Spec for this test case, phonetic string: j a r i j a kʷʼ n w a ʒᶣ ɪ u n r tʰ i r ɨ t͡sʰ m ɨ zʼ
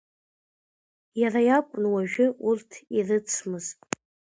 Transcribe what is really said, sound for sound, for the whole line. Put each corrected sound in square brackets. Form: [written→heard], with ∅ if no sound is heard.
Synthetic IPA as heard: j a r [i→a] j a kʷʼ n w a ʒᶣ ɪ u [n→∅] r tʰ i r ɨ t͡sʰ m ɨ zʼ